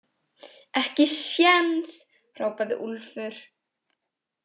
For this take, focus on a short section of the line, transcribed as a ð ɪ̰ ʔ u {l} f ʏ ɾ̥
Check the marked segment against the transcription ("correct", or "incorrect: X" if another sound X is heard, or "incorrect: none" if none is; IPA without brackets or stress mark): correct